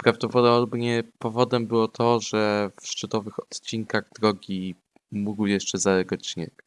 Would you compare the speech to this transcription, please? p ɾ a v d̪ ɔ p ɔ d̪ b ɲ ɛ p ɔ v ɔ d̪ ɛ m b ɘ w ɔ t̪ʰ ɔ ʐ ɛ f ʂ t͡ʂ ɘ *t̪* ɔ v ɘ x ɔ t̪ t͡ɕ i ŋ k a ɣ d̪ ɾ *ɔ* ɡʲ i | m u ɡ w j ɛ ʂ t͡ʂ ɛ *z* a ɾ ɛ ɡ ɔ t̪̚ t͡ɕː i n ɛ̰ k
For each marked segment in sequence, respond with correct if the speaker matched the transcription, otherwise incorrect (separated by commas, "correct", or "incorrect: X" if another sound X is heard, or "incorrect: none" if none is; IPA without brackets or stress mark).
correct, correct, correct